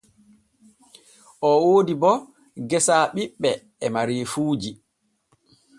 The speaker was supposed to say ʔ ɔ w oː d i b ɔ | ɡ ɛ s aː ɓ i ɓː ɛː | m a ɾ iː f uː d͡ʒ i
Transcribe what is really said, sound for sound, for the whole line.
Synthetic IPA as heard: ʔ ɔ w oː d i b ɔ | ɡ ɛ s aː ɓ i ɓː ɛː | m a ɾ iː f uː d͡ʒ i